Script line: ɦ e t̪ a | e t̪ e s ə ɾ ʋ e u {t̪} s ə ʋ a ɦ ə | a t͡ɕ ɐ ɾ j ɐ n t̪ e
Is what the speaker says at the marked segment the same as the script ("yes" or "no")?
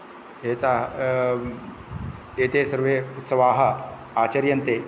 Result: yes